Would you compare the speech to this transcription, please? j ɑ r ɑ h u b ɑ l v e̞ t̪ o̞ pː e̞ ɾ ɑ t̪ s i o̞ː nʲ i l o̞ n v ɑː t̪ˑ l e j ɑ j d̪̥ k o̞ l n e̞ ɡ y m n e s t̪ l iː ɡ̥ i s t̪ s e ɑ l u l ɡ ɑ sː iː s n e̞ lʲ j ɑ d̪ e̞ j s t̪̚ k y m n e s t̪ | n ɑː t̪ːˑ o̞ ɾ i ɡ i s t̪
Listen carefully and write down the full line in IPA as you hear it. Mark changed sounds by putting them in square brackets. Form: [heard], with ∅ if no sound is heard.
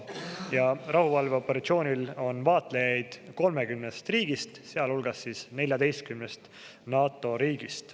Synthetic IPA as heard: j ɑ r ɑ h u [v] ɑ l v e̞ [∅] o̞ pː e̞ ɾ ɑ t̪ s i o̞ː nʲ i l o̞ n v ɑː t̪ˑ l e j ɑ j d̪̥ k o̞ l [m] e̞ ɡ y m n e s t̪ [r] iː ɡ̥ i s t̪ s e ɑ l u l ɡ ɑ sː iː s n e̞ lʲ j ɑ d̪ e̞ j s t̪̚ k y m n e s t̪ | n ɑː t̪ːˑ o̞ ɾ [iː] ɡ i s t̪